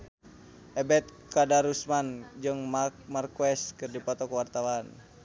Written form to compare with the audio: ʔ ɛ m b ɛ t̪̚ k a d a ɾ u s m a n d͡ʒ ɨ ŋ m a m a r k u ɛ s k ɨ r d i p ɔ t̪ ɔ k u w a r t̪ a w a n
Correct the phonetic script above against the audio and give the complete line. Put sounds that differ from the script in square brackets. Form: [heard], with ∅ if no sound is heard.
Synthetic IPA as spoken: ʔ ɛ [∅] b ɛ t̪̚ k a d a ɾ u s m a n d͡ʒ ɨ ŋ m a m a r k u ɛ s k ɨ r d i p ɔ t̪ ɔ k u w a r t̪ a w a n